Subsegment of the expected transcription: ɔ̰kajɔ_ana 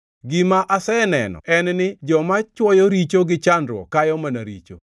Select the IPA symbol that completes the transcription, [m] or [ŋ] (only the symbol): m